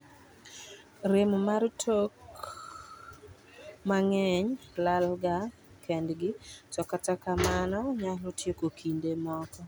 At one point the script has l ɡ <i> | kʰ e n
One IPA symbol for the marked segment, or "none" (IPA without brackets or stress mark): a